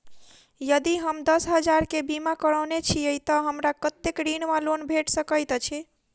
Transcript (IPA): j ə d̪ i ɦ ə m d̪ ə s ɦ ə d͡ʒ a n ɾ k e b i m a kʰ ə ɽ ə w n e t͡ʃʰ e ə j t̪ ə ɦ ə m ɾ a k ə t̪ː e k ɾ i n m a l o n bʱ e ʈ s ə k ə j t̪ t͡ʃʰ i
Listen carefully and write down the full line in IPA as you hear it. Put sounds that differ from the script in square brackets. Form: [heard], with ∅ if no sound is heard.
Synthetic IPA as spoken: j ə d̪ i ɦ ə m d̪ ə s ɦ ə d͡ʒ a [∅] ɾ k e b i m a [k] ə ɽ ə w n e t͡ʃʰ [i] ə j t̪ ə ɦ ə m ɾ a k ə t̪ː e k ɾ i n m a l o n bʱ e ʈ s ə k ə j t̪ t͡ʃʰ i

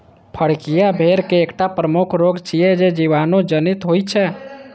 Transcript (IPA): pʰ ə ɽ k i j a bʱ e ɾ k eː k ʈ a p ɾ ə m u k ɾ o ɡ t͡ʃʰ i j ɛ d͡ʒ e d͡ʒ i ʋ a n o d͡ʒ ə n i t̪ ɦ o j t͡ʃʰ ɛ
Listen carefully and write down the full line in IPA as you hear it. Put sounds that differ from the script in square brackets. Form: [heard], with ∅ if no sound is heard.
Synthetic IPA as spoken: pʰ ə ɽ k i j a bʱ e ɾ k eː k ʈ a p ɾ ə m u [kʰ] ɾ o ɡ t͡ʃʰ i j ɛ d͡ʒ e d͡ʒ i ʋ a n o d͡ʒ ə n i t̪ ɦ o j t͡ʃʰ ɛ

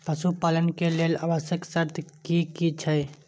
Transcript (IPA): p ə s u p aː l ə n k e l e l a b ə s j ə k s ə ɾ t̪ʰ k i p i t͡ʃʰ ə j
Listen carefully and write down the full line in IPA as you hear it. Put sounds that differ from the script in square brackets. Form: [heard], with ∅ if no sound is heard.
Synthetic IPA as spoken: p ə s u p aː l ə n k e l e l a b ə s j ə k s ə ɾ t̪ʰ k i [k] i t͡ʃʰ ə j

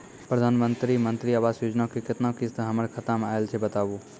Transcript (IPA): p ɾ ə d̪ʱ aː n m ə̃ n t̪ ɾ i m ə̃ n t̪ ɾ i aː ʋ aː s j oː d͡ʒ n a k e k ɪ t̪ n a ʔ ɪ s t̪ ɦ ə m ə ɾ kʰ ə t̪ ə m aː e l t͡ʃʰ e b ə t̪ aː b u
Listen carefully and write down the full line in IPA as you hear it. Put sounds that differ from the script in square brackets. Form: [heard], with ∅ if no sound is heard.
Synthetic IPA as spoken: p ɾ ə d̪ʱ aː n m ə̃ n t̪ ɾ i m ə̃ n t̪ ɾ i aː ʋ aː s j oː d͡ʒ n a k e k ɪ t̪ n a [k] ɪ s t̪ ɦ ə m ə ɾ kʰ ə t̪ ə m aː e l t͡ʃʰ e b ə t̪ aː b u

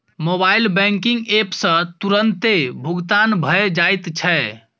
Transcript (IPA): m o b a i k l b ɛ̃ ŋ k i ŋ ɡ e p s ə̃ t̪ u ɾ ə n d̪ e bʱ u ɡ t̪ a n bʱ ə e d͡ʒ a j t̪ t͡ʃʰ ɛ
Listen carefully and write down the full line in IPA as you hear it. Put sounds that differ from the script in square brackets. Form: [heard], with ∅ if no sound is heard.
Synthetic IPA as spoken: m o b a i [∅] l b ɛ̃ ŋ k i ŋ ɡ e p s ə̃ t̪ u ɾ ə n [t̪] e bʱ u ɡ t̪ a n bʱ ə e d͡ʒ a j t̪ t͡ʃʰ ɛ

